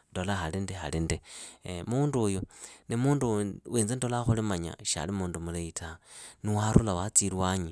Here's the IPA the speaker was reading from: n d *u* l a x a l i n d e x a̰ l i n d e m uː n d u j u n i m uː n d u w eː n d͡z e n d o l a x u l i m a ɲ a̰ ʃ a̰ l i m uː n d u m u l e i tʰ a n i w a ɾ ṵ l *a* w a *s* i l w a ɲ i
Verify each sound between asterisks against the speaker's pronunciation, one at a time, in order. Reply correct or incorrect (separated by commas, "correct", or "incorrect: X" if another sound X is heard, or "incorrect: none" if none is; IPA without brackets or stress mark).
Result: incorrect: o, correct, incorrect: t͡s